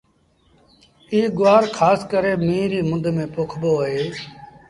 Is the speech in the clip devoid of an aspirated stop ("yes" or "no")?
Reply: no